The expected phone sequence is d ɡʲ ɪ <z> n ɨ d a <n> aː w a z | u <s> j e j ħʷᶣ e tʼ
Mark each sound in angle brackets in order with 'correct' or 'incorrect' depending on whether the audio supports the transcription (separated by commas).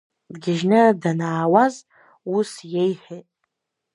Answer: incorrect, correct, correct